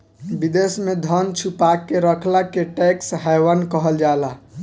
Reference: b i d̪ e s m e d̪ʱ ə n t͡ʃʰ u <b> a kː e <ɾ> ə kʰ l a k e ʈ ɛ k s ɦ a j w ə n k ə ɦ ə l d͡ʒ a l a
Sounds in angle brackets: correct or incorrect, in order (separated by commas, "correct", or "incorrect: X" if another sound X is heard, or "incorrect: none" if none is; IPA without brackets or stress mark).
incorrect: p, correct